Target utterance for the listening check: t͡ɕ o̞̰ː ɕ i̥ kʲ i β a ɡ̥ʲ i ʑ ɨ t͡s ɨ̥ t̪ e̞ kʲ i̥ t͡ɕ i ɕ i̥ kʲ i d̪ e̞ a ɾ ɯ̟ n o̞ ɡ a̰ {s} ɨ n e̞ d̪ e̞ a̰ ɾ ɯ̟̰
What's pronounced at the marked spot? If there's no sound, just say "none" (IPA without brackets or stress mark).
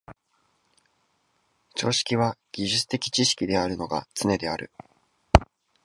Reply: t͡s